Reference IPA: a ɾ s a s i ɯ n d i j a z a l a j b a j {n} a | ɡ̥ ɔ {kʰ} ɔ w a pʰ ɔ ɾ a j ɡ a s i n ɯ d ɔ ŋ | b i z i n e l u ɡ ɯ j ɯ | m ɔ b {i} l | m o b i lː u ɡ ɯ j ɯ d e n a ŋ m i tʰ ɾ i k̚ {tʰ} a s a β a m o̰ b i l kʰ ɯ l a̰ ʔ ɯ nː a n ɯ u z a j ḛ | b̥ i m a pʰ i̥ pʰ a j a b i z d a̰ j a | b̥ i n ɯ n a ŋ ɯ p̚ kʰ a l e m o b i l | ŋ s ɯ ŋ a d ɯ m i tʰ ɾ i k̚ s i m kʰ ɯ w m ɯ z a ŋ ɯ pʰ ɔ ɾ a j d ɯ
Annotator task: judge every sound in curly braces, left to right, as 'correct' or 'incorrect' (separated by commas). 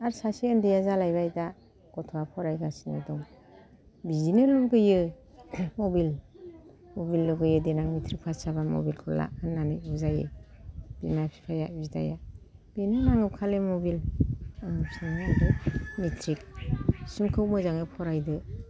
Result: incorrect, incorrect, correct, incorrect